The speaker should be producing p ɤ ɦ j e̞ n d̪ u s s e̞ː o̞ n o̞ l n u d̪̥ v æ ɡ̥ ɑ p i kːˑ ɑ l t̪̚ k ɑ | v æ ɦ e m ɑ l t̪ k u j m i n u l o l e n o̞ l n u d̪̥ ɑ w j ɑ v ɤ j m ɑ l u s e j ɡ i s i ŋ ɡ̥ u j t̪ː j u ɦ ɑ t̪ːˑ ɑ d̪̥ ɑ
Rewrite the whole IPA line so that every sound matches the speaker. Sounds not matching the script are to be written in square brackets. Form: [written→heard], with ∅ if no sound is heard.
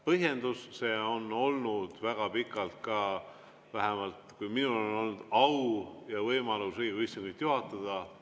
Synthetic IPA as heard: p ɤ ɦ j e̞ n d̪ u s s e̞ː o̞ n o̞ l n u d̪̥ v æ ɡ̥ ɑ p i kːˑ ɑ l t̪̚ k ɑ | v æ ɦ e m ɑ l t̪ k u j m i n u l o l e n o̞ l n u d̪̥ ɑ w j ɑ v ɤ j m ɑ l u s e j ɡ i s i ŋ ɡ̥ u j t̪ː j u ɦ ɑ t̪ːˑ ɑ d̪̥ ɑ